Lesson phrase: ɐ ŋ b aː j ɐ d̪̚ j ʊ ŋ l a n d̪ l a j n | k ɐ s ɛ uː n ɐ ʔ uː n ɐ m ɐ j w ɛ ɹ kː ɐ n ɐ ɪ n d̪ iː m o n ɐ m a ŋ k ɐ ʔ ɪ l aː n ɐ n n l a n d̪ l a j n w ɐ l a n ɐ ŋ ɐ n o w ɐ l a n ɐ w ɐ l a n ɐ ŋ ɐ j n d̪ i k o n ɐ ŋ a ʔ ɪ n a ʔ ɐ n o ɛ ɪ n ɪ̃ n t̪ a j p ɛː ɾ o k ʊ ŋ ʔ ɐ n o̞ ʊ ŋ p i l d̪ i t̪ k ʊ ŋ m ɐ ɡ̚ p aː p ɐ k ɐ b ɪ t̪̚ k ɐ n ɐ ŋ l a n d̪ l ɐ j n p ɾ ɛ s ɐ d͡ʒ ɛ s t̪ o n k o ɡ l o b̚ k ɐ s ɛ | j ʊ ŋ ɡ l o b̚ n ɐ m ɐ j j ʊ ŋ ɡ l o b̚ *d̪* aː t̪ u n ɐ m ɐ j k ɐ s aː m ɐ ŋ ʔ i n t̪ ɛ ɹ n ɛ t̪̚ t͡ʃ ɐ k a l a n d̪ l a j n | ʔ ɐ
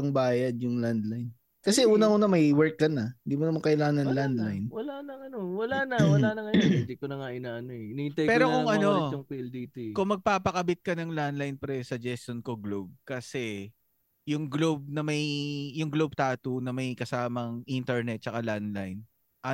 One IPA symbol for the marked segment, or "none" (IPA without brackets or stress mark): t̪